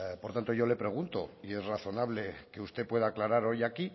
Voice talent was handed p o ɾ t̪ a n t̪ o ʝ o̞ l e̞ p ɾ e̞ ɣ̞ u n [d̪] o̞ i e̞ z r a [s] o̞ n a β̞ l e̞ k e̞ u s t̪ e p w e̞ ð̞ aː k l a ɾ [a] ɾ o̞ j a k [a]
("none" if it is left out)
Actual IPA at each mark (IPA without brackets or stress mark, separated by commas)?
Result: t̪, θ, a, i